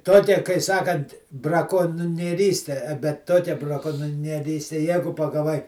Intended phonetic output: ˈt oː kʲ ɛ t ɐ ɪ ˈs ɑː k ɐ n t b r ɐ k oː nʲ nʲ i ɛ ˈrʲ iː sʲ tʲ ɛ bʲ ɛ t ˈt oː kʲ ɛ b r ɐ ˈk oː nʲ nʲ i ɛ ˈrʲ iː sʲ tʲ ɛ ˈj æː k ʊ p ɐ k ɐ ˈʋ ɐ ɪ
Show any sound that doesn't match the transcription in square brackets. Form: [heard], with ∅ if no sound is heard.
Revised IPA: ˈt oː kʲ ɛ [k] ɐ ɪ ˈs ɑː k ɐ n t b r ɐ k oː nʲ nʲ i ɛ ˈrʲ iː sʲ tʲ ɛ bʲ ɛ t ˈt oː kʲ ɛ b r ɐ ˈk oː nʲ nʲ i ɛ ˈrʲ iː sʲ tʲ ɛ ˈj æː [ɡ] ʊ p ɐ [ɡ] ɐ ˈʋ ɐ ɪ